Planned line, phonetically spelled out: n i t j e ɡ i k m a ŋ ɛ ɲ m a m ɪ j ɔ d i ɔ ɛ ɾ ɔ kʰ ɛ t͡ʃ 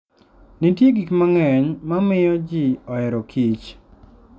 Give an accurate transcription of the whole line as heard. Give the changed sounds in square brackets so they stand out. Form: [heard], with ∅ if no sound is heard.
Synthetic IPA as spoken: n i t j e ɡ i k m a ŋ ɛ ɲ m a m ɪ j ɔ [d͡ʒ] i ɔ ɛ ɾ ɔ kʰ [i] t͡ʃ

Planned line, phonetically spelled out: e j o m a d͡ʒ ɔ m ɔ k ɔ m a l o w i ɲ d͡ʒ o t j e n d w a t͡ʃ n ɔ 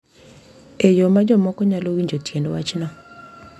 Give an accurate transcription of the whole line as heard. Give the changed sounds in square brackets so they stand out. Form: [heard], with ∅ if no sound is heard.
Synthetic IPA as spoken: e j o m a d͡ʒ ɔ m ɔ k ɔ [ɲ] a l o w i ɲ d͡ʒ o t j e n d w a t͡ʃ n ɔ

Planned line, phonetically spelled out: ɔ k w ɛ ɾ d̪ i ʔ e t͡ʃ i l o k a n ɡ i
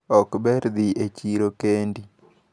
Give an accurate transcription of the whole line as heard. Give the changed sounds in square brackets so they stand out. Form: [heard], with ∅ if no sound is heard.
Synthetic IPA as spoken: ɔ k [b] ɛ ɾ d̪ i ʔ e t͡ʃ i [ɾ] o k [e] n [d] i

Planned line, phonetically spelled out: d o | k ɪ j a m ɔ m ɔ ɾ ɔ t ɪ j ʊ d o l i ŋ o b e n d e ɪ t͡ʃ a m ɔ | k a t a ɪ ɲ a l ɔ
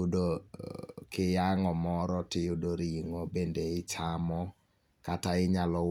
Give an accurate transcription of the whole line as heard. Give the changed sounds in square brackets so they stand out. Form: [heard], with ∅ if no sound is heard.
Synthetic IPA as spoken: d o | k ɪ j a [ŋ] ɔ m ɔ ɾ ɔ t ɪ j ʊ d o [ɾ] i ŋ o b e n d e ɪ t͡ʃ a m ɔ | k a t a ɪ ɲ a l ɔ

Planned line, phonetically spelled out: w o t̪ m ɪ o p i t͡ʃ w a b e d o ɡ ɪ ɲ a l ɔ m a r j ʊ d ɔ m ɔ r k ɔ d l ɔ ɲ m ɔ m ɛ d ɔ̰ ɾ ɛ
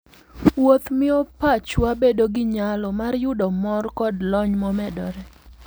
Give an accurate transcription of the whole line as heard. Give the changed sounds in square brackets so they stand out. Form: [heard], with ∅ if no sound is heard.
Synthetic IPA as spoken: w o t̪ m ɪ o p [a] t͡ʃ w a b e d o ɡ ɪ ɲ a l ɔ m a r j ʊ d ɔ m ɔ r k ɔ d l ɔ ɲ m ɔ m ɛ d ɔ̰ ɾ ɛ

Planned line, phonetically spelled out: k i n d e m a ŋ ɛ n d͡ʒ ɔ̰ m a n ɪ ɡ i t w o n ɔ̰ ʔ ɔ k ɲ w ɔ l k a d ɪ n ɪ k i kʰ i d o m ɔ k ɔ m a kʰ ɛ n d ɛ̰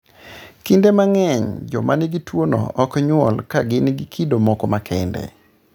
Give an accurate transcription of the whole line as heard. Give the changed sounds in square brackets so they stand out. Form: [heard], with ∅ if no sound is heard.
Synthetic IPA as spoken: k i n d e m a ŋ ɛ [ɲ] d͡ʒ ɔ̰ m a n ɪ ɡ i t w o n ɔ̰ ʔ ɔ k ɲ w ɔ l k a [ɡ] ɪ n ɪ [ɡ] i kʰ i d o m ɔ k ɔ m a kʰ ɛ n d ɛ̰

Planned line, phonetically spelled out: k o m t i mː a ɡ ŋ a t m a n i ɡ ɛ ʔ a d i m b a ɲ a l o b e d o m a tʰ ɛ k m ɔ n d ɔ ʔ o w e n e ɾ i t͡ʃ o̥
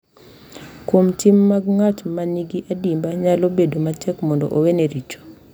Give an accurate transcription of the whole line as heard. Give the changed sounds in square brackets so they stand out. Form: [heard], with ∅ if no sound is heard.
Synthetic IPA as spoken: k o m t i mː a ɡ ŋ a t m a n i ɡ [i] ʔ a d i m b a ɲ a l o b e d o m a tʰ ɛ k m ɔ n d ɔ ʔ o w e n e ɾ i t͡ʃ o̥

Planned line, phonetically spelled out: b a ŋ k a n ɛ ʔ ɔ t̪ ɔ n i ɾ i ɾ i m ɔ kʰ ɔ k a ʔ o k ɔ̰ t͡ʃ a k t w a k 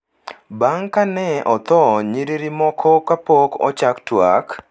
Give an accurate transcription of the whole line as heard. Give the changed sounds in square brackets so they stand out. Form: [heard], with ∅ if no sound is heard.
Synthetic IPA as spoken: b a ŋ k a n ɛ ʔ ɔ t̪ ɔ [ɲ] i ɾ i ɾ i m ɔ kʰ ɔ k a [p] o k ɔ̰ t͡ʃ a k t w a k

